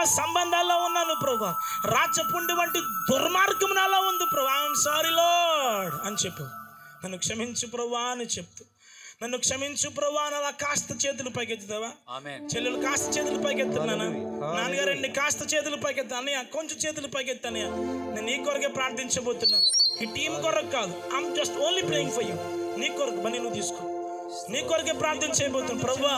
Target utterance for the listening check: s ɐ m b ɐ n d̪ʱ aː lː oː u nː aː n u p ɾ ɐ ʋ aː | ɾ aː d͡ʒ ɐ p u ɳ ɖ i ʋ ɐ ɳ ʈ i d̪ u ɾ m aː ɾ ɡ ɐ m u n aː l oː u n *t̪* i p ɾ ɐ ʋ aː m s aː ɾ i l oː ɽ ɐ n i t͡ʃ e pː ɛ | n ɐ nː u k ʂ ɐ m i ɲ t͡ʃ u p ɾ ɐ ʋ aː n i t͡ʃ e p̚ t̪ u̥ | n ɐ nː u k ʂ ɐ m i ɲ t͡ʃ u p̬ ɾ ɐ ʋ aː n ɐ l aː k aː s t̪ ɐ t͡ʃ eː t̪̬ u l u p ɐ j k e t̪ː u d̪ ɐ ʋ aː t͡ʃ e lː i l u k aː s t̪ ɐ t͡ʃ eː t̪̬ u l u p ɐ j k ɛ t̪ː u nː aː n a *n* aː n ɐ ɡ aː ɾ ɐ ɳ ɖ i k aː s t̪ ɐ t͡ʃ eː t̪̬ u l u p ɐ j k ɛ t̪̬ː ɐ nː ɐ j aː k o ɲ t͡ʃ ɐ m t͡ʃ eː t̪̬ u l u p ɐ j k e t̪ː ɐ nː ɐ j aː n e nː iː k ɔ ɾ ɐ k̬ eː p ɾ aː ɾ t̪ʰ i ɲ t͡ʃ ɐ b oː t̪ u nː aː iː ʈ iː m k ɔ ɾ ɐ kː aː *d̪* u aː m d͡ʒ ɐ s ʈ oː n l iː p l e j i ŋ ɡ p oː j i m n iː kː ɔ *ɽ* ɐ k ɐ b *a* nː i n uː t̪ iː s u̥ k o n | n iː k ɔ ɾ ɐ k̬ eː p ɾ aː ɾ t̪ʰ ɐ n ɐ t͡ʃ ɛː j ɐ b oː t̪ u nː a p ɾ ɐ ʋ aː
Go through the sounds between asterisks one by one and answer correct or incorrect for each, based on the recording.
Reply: incorrect: d̪, correct, correct, incorrect: ɾ, incorrect: ɐ

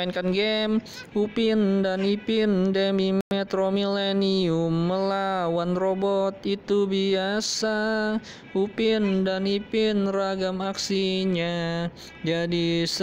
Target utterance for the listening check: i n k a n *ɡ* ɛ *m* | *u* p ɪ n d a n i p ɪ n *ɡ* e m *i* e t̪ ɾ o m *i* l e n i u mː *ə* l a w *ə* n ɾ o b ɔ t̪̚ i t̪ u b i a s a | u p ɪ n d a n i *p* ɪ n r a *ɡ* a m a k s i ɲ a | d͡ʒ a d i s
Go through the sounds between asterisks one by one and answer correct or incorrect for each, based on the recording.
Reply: correct, correct, correct, incorrect: d, correct, correct, correct, incorrect: a, correct, correct

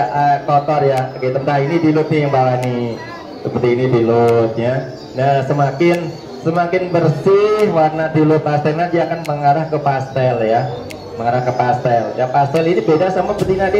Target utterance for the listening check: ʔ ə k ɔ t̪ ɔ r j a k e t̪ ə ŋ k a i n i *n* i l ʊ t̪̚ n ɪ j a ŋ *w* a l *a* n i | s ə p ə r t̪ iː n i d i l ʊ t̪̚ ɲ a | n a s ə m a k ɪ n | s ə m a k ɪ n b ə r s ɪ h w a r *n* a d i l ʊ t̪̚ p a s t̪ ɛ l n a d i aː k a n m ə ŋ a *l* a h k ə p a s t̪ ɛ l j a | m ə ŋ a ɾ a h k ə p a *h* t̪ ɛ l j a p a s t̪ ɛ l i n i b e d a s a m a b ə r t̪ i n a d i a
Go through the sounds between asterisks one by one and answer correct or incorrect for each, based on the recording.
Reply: incorrect: d, incorrect: b, correct, correct, incorrect: ɾ, incorrect: s

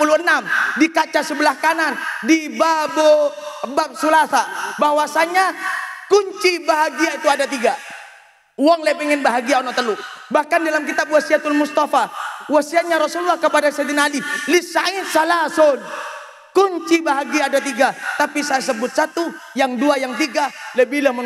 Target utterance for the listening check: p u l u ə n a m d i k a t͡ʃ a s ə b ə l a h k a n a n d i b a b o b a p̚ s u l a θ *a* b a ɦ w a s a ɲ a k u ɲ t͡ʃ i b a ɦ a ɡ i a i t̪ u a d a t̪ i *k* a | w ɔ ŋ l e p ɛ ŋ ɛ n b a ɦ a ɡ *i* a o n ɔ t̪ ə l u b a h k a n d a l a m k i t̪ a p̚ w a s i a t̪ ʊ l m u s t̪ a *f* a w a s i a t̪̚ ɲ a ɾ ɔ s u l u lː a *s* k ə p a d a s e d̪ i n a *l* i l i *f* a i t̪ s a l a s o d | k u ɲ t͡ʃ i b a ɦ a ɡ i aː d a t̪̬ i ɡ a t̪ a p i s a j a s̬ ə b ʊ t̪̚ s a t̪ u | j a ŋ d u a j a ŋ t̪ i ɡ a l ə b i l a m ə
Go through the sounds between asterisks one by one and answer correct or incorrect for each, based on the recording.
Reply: correct, incorrect: ɡ, correct, correct, incorrect: h, correct, incorrect: s

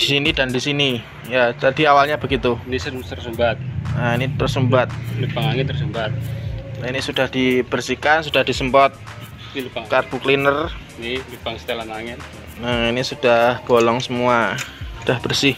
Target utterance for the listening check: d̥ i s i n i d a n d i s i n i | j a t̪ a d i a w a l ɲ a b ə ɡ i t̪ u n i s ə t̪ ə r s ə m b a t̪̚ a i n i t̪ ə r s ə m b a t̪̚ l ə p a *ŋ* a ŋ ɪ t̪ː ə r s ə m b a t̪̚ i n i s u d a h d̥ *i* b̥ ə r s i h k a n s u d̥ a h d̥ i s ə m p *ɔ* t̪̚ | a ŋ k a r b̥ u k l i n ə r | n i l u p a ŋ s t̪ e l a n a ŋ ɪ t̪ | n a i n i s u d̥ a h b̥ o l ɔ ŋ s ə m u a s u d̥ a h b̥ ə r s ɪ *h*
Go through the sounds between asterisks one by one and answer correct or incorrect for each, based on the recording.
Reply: correct, correct, correct, correct

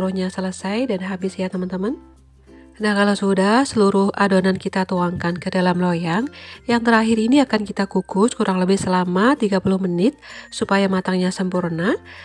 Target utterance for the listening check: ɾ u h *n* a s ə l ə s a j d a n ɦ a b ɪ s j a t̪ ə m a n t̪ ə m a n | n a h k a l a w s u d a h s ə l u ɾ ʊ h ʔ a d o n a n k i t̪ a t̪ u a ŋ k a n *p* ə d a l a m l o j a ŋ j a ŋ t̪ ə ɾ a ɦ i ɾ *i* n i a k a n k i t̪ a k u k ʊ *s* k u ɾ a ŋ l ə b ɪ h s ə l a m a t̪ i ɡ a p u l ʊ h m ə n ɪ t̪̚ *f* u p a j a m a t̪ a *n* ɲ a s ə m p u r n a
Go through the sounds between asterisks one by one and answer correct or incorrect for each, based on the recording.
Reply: incorrect: ɲ, incorrect: k, correct, correct, incorrect: s, incorrect: ŋ

